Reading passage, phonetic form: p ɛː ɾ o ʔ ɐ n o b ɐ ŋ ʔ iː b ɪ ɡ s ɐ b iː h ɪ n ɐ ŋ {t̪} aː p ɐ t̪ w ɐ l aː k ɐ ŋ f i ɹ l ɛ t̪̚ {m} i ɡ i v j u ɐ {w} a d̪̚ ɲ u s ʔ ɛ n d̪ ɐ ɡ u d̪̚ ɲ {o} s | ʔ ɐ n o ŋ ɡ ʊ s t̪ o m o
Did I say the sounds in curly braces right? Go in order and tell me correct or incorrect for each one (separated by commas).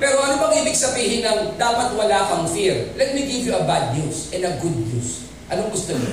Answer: incorrect, correct, incorrect, incorrect